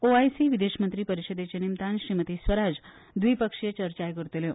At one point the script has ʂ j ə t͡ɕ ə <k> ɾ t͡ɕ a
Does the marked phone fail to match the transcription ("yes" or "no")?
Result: yes